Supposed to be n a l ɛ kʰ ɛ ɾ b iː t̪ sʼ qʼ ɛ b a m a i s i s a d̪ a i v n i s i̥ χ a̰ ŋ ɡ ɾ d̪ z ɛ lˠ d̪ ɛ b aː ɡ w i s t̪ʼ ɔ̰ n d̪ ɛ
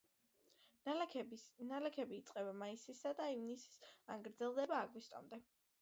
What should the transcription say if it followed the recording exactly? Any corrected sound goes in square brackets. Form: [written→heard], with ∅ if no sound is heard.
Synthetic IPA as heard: n a l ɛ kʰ ɛ [ɾ→∅] b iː t̪ sʼ qʼ ɛ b a m a i s i s a d̪ a i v n i s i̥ [χ→s] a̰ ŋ ɡ ɾ d̪ z ɛ lˠ d̪ ɛ b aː ɡ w i s t̪ʼ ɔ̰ [n→m] d̪ ɛ